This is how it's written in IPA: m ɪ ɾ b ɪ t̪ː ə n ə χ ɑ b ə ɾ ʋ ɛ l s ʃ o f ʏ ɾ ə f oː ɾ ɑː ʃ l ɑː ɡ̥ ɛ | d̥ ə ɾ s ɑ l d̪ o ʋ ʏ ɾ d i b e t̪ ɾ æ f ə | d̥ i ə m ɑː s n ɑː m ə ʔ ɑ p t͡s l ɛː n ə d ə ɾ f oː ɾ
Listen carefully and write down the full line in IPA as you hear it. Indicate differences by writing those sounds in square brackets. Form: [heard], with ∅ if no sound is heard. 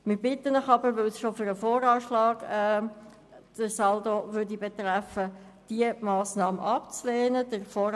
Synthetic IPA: m ɪ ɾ b ɪ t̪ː ə n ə χ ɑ b ə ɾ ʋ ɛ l s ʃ o f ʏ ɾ ə f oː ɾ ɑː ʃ l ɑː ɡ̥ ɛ | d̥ ə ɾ s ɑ l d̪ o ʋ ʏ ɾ d i b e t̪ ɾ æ f ə | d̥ i ə m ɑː s n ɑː m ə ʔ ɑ p t͡s l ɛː n ə d ə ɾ f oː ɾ

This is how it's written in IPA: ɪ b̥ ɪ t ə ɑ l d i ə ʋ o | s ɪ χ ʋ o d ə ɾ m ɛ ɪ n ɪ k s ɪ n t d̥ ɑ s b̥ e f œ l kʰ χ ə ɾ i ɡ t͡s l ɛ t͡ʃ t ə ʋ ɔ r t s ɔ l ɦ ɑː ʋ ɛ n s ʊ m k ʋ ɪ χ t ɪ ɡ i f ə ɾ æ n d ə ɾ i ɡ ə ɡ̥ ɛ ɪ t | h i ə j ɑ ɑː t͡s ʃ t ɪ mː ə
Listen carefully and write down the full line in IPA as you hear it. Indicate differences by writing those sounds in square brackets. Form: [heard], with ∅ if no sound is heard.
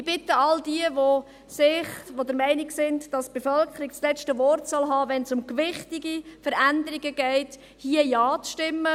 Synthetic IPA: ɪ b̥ ɪ t ə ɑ l d i ə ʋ o | s ɪ χ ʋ o d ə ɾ m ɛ ɪ n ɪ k s ɪ n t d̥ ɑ s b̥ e f œ l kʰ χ ə ɾ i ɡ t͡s l ɛ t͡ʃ t ə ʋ ɔ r t s ɔ l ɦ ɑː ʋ ɛ n s ʊ m k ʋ ɪ χ t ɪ ɡ i f ə ɾ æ n d ə ɾ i ɡ ə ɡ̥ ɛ ɪ t | h i ə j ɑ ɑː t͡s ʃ t ɪ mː ə

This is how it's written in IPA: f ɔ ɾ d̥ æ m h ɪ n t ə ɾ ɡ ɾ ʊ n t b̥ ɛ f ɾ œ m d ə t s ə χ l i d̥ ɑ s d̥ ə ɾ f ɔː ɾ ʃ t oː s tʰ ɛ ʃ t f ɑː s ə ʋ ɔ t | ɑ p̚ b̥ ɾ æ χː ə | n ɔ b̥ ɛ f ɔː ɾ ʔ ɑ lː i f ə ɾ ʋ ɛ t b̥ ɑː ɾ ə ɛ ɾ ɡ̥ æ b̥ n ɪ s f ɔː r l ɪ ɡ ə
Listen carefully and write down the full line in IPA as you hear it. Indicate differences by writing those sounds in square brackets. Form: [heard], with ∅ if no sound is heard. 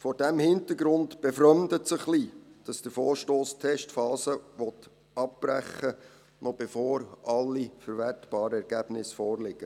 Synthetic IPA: f ɔ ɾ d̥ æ m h ɪ n t ə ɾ ɡ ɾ ʊ n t b̥ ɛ f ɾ œ m d ə t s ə χ l i d̥ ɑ s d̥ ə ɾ f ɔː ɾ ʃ t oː s tʰ ɛ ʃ t f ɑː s ə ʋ ɔ t | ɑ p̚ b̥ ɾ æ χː ə | n ɔ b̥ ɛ f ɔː ɾ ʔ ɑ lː i f ə ɾ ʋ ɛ t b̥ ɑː ɾ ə ɛ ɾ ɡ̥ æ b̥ n ɪ s f ɔː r l ɪ ɡ ə

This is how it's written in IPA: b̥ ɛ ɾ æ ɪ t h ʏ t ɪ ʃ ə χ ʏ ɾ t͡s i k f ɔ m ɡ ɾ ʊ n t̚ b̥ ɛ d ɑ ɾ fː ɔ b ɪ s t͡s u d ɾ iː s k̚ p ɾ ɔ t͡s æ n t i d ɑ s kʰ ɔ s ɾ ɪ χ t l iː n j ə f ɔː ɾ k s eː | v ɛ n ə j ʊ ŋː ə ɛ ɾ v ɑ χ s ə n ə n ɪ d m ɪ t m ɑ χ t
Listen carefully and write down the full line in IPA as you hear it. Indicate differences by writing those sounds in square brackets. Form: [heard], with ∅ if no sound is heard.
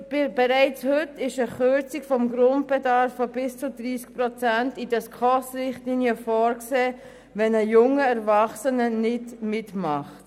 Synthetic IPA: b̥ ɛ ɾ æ ɪ [t͡s] h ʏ t ɪ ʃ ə χ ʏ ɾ t͡s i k f ɔ m ɡ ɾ ʊ n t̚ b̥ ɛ d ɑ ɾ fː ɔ b ɪ s t͡s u d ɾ iː s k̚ p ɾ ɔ t͡s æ n t i d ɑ s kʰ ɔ s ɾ ɪ χ t l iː n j ə f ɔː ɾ k s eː | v ɛ n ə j ʊ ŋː ə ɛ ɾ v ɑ χ s ə n ə n ɪ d m ɪ t m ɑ χ t

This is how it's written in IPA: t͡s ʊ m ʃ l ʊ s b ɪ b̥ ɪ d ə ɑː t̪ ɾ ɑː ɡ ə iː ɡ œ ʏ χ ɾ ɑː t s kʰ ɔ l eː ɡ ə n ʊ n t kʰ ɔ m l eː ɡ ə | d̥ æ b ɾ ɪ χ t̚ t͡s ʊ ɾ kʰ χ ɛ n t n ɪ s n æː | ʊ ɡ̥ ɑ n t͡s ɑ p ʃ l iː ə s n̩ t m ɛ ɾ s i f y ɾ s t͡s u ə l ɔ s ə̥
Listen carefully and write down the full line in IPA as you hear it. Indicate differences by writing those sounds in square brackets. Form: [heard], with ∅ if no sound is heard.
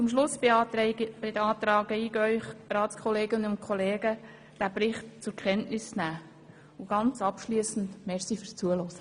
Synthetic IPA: t͡s ʊ m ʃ l ʊ s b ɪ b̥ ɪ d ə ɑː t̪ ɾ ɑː ɡ ə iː ɡ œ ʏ χ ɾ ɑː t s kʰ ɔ l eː ɡ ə n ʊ n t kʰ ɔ [∅] l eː ɡ ə | d̥ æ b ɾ ɪ χ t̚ t͡s ʊ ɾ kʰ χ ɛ n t n ɪ s n æː | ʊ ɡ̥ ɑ n t͡s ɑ p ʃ l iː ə s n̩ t m ɛ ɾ s i f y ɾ s t͡s u ə l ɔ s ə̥

